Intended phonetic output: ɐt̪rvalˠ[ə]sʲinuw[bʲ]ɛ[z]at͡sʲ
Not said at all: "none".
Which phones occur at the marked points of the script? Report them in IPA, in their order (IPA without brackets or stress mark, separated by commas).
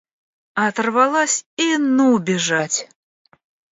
a, bʲ, ʐ